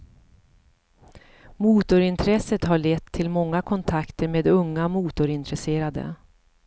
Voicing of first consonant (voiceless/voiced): voiced